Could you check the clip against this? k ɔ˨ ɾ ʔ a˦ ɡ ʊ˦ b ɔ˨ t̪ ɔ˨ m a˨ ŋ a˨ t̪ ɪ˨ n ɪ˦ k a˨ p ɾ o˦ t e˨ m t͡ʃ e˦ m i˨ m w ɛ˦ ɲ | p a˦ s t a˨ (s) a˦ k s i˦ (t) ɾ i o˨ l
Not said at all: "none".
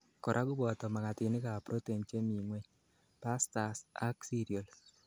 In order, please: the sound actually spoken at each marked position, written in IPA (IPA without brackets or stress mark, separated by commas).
s, none